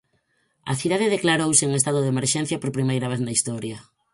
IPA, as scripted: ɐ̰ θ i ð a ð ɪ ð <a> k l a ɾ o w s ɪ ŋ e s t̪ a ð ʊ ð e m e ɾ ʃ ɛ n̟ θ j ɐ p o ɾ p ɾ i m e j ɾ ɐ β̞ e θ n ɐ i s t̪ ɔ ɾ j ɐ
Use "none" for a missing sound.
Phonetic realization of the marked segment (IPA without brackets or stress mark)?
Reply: e